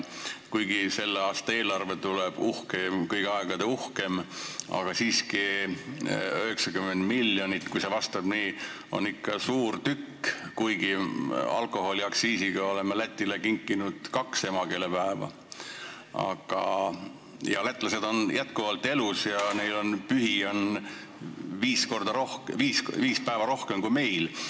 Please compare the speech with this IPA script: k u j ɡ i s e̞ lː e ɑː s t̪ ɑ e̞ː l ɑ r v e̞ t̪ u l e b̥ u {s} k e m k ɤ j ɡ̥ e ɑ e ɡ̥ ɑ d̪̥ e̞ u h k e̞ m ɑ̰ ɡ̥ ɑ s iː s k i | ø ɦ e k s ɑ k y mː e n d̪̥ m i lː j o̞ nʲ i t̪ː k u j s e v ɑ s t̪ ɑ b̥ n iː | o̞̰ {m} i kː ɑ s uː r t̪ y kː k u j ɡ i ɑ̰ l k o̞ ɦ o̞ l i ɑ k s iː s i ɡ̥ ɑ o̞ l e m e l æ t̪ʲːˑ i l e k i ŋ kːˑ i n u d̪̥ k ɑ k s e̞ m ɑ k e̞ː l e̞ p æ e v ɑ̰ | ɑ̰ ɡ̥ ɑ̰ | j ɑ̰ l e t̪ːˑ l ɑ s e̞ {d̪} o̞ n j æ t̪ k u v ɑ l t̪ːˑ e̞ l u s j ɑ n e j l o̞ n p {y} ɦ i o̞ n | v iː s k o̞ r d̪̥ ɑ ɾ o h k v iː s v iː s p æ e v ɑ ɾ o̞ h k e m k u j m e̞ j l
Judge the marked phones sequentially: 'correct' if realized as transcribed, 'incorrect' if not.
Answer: incorrect, incorrect, correct, correct

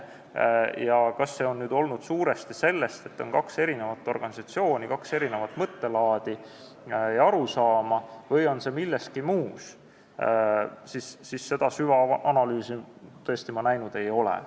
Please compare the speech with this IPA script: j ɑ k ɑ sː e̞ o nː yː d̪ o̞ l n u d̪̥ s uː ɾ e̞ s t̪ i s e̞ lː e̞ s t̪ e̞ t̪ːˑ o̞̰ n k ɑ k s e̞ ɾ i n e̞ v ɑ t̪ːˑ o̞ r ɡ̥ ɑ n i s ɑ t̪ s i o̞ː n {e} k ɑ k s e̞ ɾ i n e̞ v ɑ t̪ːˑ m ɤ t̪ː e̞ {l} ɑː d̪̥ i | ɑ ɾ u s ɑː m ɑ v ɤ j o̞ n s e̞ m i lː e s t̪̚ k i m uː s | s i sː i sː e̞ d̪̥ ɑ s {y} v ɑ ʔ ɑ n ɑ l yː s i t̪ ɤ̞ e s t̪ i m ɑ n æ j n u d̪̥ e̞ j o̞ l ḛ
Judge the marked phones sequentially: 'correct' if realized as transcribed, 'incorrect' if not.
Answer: incorrect, correct, correct

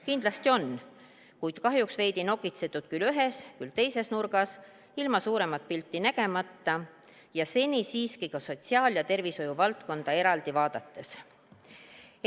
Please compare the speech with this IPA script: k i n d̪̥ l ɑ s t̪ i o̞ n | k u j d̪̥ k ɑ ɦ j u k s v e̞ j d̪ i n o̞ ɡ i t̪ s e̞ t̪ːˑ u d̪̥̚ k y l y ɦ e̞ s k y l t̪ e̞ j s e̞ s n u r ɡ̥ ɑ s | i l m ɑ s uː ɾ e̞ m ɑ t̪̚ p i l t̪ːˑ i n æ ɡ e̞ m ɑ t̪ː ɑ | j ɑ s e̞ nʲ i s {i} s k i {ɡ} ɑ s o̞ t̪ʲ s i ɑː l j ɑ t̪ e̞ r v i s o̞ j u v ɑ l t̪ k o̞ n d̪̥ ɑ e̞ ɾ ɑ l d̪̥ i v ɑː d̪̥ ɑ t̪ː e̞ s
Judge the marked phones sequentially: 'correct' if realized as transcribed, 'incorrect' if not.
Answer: incorrect, incorrect

